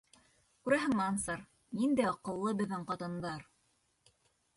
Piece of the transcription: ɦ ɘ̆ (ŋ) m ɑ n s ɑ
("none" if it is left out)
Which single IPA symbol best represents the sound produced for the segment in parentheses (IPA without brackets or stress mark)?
ŋ